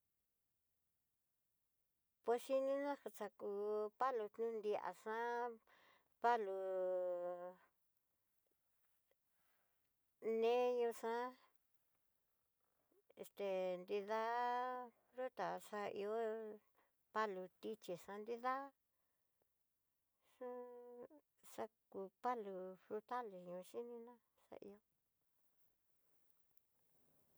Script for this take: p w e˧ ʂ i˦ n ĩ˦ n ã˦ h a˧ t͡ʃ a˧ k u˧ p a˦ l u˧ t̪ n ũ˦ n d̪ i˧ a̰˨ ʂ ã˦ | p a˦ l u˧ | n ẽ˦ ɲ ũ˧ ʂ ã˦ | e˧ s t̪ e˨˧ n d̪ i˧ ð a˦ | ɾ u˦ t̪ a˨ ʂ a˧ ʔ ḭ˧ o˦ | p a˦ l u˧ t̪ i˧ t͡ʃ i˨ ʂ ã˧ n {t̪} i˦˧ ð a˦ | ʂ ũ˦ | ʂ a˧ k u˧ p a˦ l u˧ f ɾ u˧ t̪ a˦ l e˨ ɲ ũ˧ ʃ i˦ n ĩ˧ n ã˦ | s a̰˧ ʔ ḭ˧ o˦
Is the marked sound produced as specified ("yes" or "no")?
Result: no